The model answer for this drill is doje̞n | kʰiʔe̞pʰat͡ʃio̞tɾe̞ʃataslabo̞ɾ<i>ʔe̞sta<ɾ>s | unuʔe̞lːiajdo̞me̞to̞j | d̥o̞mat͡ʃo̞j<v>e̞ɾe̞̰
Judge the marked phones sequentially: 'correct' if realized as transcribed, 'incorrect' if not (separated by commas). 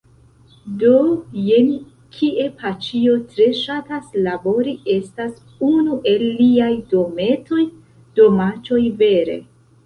correct, incorrect, correct